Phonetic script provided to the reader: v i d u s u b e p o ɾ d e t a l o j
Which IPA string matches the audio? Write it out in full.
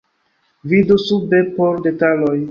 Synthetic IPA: v i d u s u b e p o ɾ d e t a l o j

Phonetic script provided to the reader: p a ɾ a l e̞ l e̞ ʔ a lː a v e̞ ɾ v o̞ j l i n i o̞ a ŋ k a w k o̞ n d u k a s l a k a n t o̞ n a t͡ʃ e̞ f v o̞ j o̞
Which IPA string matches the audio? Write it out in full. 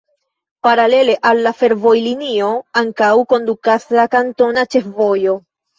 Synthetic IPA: p a ɾ a l e̞ l e̞ ʔ a lː a f e̞ ɾ v o̞ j l i n i o̞ a ŋ k a w k o̞ n d u k a s l a k a n t o̞ n a t͡ʃ e̞ f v o̞ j o̞

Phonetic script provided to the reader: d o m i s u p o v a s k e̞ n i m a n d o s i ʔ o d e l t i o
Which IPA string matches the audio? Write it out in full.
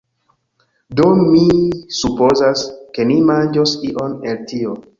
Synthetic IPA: d o m i s u p o z a s k e̞ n i m a n d͡ʒ o s i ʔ o n e l t i o

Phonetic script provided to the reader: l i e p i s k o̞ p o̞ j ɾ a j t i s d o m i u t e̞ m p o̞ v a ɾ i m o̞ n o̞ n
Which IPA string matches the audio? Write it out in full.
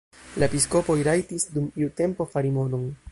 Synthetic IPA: l a e p i s k o̞ p o̞ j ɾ a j t i s d u m i u t e̞ m p o̞ f a ɾ i m o̞ n o̞ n

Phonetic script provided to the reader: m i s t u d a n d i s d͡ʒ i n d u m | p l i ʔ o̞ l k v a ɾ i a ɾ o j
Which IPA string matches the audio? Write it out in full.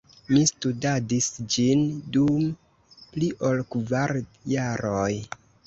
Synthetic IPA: m i s t u d a d i s d͡ʒ i n d u m | p l i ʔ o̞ l k v a ɾ j a ɾ o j

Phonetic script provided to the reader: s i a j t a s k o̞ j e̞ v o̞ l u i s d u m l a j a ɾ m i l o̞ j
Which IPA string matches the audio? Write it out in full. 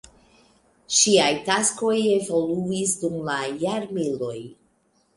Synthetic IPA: ʃ i a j t a s k o̞ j e̞ v o̞ l u i s d u m l a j a ɾ m i l o̞ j

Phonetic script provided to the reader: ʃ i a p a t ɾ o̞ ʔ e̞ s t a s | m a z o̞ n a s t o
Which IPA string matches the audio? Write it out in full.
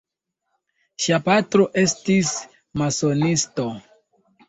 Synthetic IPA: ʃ i a p a t ɾ o̞ ʔ e̞ s t i s | m a s o̞ n i s t o

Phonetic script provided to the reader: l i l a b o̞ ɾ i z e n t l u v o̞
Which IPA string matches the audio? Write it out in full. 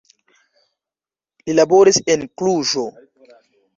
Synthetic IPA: l i l a b o̞ ɾ i s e n k l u ʒ o̞

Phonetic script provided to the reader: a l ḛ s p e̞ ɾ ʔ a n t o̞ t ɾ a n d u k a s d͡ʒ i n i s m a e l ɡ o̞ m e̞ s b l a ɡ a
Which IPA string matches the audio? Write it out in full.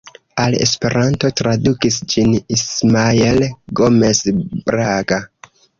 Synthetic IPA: a l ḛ s p e̞ ɾ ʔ a n t o̞ t ɾ a d u k i s d͡ʒ i n i s m a e l ɡ o̞ m e̞ s b ɾ a ɡ a

